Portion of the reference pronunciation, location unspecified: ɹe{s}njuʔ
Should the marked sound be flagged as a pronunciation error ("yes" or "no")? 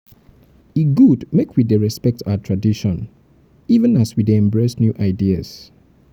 no